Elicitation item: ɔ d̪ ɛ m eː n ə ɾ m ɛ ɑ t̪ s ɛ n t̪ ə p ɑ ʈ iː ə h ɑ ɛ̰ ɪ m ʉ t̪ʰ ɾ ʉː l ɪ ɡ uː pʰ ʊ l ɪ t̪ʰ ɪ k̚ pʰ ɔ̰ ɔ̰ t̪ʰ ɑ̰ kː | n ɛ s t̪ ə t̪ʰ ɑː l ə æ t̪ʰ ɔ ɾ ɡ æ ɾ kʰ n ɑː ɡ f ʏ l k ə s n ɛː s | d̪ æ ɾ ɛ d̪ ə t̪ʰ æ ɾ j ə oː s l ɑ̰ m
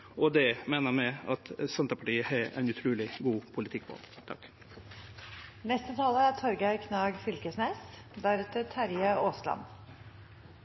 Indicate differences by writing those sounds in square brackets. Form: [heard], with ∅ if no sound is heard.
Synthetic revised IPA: ɔ d̪ ɛ m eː n ə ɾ m ɛ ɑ t̪ s ɛ n t̪ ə p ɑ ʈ iː ə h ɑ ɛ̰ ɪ [n] ʉ t̪ʰ ɾ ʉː l ɪ ɡ uː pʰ ʊ l ɪ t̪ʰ ɪ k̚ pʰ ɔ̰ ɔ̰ t̪ʰ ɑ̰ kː | n ɛ s t̪ ə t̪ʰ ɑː l ə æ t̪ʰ ɔ ɾ ɡ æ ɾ kʰ n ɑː ɡ f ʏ l k ə s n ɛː s | d̪ æ ɾ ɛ [t̪] ə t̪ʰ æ ɾ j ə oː s l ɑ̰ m

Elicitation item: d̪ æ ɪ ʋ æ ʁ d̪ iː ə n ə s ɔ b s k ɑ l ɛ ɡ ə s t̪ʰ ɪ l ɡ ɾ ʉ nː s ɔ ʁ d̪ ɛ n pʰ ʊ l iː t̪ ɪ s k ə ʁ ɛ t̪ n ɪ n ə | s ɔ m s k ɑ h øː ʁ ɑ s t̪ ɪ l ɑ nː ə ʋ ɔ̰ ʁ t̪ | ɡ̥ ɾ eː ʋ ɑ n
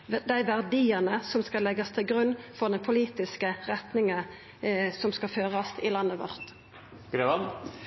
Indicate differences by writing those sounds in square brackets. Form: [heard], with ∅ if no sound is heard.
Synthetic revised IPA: d̪ æ ɪ ʋ æ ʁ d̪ iː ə n ə s ɔ [m] s k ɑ l ɛ ɡ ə s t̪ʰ ɪ l ɡ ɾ ʉ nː [f] ɔ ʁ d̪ ɛ n pʰ ʊ l iː t̪ ɪ s k ə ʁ ɛ t̪ n ɪ [ŋ] ə | s ɔ m s k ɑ [f] øː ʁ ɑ s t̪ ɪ l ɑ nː ə ʋ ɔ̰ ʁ t̪ | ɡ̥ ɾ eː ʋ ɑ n

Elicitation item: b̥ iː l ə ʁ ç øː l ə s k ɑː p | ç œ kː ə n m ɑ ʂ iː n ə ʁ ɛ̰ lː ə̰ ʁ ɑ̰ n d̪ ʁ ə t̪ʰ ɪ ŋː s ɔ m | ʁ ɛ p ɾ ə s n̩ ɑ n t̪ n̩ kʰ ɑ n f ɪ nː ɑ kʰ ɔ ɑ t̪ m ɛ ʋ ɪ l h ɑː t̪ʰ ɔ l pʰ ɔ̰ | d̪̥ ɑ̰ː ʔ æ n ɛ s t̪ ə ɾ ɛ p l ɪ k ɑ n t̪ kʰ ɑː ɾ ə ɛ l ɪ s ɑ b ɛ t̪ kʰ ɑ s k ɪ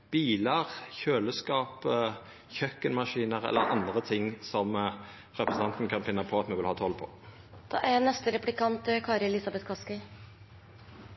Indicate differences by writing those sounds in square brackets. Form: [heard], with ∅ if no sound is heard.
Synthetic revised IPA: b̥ iː l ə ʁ ç øː l ə s k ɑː p | ç œ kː ə n m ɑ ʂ iː n ə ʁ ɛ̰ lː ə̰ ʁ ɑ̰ n d̪ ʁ ə t̪ʰ ɪ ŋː s ɔ m | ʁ ɛ p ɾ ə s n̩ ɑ n t̪ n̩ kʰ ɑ n f ɪ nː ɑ [pʰ] ɔ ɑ t̪ m ɛ ʋ ɪ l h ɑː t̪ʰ ɔ l pʰ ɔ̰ | d̪̥ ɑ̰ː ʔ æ n ɛ s t̪ ə ɾ ɛ p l ɪ k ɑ n t̪ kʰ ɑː ɾ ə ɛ l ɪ s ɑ b ɛ t̪ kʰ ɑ s k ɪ

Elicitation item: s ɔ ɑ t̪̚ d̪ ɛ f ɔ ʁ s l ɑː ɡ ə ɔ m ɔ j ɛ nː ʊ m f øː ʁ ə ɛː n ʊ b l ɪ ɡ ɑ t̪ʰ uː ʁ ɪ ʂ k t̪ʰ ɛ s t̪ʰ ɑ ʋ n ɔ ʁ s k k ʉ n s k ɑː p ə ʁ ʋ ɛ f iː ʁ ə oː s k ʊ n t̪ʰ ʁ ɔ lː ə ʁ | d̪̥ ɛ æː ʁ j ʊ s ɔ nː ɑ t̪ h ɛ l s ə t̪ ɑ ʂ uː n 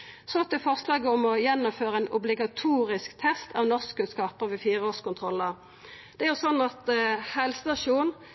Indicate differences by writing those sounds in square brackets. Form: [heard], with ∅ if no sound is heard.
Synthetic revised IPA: s ɔ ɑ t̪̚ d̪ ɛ f ɔ ʁ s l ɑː ɡ ə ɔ m ɔ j ɛ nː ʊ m f øː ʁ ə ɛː n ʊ b l ɪ ɡ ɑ t̪ʰ uː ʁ ɪ [s] k t̪ʰ ɛ s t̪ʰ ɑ ʋ n ɔ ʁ s k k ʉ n s k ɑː p ə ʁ ʋ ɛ f iː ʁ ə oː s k ʊ n t̪ʰ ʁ ɔ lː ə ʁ | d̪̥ ɛ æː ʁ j ʊ s ɔ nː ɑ t̪ h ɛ l s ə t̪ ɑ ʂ uː n

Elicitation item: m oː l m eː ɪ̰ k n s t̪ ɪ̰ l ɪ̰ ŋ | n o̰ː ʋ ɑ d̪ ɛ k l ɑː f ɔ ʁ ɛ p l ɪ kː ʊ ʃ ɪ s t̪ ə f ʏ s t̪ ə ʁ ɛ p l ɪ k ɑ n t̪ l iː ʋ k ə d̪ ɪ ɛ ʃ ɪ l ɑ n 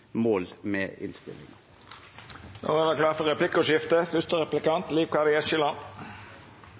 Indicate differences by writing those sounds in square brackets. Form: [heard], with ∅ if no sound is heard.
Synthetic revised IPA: m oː l m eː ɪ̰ [∅] n s t̪ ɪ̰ l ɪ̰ ŋ | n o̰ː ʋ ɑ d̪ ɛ k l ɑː f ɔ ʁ ɛ p l ɪ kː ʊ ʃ ɪ [f] t̪ ə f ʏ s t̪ ə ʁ ɛ p l ɪ k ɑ n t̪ l iː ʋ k [ɑ] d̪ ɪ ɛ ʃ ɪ l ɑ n

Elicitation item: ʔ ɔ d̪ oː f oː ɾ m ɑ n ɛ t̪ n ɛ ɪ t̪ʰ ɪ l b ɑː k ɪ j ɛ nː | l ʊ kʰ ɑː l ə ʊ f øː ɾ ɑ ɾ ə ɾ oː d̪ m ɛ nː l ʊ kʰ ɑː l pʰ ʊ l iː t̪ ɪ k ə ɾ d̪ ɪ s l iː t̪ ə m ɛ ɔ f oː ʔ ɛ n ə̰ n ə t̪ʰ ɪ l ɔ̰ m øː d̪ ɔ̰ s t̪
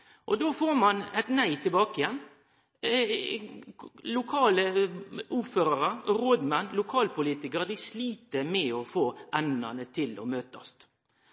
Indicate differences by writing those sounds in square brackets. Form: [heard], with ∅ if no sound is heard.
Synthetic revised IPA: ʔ ɔ d̪ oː f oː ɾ m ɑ n ɛ t̪ n [æ] ɪ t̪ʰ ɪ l b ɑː k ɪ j ɛ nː | l ʊ kʰ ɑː l ə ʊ f øː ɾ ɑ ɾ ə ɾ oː d̪ m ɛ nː l ʊ kʰ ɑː l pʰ ʊ l iː t̪ ɪ k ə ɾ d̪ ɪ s l iː t̪ ə m ɛ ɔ f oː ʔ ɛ n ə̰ n ə t̪ʰ ɪ l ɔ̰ m øː [t̪] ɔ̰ s t̪

